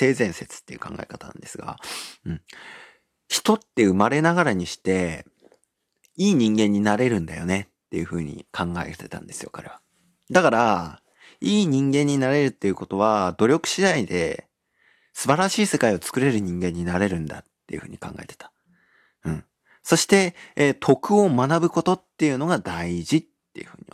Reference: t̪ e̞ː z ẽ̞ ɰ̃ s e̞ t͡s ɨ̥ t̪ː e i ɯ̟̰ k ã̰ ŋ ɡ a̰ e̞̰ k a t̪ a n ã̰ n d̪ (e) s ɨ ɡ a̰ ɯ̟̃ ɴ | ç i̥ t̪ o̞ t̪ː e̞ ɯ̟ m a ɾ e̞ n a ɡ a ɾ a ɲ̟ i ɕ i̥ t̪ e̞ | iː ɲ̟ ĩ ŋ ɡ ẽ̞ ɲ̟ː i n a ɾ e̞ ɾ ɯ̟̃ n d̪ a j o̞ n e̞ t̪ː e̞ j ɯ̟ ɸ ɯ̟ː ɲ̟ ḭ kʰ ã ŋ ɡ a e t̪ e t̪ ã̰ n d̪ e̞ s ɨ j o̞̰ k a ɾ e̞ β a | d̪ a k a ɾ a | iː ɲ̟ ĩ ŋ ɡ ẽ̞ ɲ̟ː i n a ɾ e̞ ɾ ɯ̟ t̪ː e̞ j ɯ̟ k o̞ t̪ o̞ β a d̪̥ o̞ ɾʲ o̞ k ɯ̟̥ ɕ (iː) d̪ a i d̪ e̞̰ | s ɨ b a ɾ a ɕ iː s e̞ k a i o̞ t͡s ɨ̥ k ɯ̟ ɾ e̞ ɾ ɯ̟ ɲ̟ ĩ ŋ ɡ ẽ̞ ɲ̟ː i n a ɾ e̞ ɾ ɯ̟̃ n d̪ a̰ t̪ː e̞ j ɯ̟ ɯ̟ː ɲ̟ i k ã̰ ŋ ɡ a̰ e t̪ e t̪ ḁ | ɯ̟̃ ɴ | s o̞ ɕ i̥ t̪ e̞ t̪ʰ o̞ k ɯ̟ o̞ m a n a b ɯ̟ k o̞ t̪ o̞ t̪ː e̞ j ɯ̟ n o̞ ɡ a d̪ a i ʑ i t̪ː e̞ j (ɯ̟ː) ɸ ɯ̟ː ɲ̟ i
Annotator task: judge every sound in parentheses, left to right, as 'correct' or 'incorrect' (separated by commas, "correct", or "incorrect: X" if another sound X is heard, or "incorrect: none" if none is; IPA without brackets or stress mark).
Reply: correct, incorrect: i, incorrect: ɯ̟